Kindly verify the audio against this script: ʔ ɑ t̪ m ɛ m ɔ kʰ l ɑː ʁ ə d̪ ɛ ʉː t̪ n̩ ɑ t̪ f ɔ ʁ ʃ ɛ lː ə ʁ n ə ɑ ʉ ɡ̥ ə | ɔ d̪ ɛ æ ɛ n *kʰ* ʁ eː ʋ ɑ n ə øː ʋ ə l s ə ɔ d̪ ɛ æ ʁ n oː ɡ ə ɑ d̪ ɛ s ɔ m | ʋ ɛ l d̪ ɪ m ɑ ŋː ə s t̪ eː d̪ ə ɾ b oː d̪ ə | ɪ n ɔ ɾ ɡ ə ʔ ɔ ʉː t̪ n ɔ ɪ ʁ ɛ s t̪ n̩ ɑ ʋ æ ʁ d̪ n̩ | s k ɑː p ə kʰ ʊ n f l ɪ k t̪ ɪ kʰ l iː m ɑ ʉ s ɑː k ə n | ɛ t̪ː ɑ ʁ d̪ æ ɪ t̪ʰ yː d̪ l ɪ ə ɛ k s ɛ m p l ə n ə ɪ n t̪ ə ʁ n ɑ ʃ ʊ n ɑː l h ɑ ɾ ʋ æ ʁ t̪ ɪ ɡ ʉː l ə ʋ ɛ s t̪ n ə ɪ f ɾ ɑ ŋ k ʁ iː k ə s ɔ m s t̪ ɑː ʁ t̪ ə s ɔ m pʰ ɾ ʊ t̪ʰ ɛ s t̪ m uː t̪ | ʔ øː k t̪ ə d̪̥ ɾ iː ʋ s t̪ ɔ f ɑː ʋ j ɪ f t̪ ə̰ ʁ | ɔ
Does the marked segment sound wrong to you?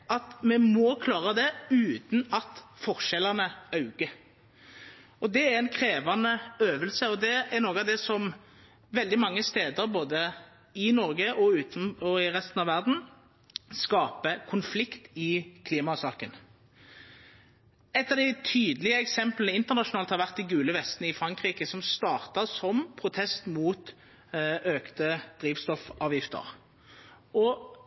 no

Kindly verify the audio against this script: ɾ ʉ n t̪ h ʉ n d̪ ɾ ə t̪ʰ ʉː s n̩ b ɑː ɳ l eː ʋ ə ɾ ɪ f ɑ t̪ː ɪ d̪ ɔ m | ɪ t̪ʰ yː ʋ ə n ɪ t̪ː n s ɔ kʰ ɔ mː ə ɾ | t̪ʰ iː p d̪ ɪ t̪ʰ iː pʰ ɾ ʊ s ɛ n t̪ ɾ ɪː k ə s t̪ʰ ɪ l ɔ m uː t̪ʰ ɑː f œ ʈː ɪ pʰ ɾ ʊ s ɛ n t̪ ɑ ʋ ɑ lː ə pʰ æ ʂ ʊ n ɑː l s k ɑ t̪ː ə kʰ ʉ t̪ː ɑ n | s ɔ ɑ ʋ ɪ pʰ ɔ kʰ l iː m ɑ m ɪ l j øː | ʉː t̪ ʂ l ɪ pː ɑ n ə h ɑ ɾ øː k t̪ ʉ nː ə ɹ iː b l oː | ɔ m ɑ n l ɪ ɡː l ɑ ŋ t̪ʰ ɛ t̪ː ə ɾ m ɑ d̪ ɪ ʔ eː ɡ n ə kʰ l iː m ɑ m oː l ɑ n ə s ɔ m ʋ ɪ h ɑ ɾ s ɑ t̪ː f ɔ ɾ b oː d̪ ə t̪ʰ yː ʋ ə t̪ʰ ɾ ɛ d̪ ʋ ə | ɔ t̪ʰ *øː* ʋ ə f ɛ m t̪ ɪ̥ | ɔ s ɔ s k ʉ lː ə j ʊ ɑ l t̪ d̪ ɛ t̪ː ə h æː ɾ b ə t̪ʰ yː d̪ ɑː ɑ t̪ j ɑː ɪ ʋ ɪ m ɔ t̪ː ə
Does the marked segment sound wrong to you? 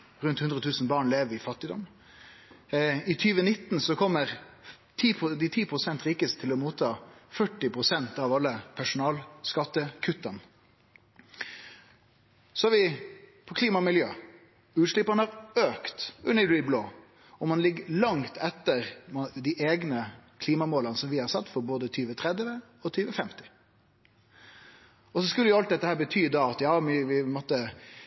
yes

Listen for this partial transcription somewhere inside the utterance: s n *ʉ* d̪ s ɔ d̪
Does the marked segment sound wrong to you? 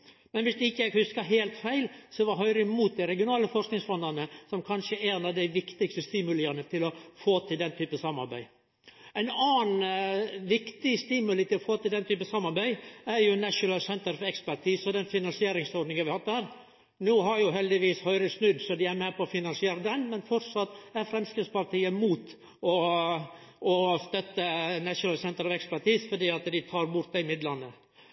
no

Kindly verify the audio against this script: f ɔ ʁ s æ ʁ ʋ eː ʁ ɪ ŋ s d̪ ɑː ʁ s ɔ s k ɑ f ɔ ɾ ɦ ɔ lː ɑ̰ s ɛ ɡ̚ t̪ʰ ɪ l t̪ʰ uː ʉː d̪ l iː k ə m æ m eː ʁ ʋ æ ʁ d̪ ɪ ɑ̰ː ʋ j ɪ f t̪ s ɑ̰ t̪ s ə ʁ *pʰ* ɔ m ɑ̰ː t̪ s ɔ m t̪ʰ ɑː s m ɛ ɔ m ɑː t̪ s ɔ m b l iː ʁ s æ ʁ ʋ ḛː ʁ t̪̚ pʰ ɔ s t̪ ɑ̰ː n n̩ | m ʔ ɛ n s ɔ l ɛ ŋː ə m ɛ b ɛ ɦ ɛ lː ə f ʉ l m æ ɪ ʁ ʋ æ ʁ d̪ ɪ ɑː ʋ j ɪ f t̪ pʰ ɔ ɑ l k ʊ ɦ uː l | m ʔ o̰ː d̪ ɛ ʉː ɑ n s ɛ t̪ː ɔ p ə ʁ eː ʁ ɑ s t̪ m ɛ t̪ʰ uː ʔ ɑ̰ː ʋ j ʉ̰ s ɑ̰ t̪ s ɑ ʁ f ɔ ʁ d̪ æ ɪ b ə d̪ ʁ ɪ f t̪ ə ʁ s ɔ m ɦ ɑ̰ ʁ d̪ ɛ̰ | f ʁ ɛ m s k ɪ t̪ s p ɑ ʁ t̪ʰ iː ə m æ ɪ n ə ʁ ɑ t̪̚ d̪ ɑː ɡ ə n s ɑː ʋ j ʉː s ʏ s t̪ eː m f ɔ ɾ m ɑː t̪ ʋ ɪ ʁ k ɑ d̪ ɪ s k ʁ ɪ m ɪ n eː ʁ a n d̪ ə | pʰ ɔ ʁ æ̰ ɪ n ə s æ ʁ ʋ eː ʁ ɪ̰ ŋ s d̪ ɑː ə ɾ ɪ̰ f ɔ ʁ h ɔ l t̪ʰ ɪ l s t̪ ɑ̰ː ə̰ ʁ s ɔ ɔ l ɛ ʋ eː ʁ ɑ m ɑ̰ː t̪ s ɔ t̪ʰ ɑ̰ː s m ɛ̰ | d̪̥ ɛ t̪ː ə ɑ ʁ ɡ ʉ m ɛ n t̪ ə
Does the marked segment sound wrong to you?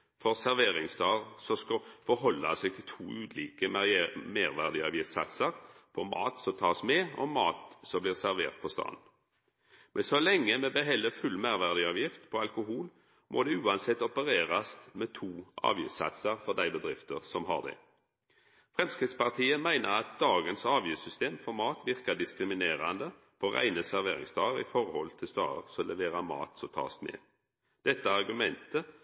no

